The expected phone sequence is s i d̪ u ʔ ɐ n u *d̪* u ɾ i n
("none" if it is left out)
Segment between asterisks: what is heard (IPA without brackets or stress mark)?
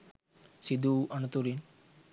t̪